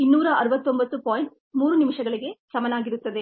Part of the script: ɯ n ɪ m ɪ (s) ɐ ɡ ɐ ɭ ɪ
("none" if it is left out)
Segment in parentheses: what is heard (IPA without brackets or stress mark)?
ʂ